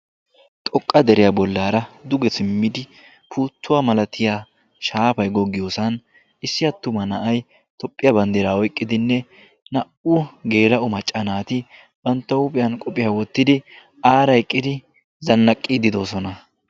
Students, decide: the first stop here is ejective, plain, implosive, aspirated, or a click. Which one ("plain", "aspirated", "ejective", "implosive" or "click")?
ejective